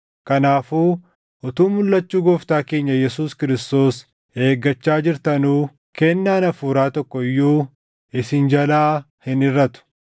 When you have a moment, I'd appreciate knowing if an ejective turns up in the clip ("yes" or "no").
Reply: no